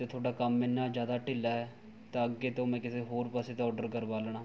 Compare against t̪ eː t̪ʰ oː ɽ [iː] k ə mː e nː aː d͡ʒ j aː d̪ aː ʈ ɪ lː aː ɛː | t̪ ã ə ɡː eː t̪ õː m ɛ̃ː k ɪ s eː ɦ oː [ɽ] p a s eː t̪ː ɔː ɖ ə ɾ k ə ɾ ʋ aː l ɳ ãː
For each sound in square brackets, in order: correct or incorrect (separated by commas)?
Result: incorrect, incorrect